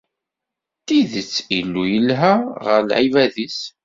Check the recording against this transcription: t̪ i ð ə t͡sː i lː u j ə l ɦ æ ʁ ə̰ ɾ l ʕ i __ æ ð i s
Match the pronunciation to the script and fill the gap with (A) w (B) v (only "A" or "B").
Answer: B